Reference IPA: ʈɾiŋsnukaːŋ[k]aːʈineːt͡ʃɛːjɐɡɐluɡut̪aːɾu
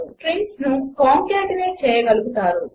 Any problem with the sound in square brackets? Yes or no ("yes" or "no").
no